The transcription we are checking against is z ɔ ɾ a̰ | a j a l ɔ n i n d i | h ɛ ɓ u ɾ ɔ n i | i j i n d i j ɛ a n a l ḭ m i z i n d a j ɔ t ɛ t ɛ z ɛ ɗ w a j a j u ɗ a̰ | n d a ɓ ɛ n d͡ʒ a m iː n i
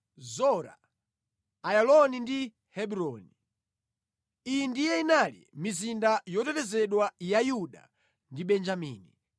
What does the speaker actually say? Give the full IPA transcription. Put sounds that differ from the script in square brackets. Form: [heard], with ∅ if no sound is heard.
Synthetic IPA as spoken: z ɔ ɾ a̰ | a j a l ɔ n i n d i | h ɛ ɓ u ɾ ɔ n i | i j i n d i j ɛ [i] n a l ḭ m i z i n d a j ɔ t ɛ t ɛ z ɛ ɗ w a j a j u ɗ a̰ | n d [i] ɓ ɛ n d͡ʒ a m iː n i

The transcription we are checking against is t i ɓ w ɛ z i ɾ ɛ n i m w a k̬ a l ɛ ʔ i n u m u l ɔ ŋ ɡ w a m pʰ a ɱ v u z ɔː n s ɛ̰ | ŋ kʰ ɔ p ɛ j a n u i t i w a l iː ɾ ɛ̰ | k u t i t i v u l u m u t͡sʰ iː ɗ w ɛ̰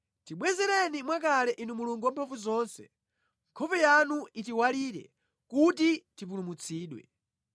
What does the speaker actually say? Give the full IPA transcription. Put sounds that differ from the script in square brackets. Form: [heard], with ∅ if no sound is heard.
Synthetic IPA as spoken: t i ɓ w ɛ z [ɛ] ɾ ɛ n i m w a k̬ a l ɛ ʔ i n u m u l [u] ŋ ɡ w a m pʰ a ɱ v u z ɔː n s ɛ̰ | ŋ kʰ ɔ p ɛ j a n u i t i w a l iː ɾ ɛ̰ | k u t i t i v u l u m u t͡sʰ iː ɗ w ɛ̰

